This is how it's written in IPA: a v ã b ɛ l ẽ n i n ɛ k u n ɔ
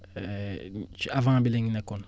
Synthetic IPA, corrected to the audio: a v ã b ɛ l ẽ ɲ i n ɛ k ɔ n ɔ